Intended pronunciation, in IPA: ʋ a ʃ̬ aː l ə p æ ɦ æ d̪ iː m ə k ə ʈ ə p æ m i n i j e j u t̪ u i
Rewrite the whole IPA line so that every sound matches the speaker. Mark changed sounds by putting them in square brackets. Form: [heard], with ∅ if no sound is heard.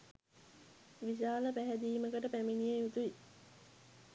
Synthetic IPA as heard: ʋ [i] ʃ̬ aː l ə p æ ɦ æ d̪ iː m ə k ə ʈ ə p æ m i n i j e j u t̪ u i